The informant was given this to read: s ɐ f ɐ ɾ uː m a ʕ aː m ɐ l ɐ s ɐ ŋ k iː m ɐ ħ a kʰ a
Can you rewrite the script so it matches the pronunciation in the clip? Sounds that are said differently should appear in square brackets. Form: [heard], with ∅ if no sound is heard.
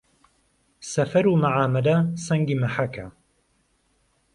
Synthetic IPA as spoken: s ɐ f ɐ ɾ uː m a ʕ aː m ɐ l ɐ s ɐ ŋ [ɡ] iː m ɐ ħ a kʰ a